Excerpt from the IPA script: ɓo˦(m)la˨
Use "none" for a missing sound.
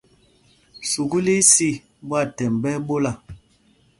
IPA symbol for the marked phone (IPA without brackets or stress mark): none